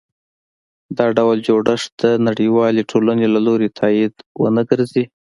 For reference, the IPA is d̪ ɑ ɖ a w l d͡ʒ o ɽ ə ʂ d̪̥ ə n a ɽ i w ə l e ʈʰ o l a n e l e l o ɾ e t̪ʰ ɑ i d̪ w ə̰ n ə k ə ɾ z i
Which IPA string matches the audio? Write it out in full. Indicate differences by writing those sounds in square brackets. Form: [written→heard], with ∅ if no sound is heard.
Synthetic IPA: d̪ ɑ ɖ a w l d͡ʒ o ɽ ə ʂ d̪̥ ə n a ɽ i w [ə→ɑ] l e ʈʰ o l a n e l [e→a] l o ɾ e t̪ʰ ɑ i d̪ w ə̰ n ə [k→ɡ] ə ɾ z i